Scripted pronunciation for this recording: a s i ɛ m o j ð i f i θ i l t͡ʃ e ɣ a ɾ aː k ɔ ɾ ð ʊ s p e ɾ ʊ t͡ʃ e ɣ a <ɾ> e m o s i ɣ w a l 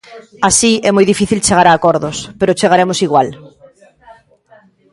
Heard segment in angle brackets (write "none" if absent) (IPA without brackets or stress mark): ɾ